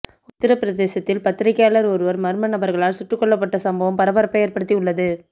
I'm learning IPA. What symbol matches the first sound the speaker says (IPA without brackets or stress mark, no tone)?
ʊ